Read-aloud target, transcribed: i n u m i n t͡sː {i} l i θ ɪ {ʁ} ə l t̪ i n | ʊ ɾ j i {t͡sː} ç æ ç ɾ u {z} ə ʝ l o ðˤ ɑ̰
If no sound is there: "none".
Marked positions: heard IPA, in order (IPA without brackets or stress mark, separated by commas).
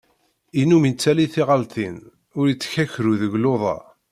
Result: æ, ʁ, t͡sː, ð